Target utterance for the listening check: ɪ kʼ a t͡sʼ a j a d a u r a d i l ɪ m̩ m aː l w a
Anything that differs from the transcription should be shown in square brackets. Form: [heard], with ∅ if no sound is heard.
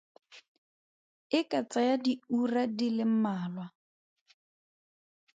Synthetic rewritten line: ɪ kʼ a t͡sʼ a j a d [i] u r a d i l ɪ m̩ m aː l w a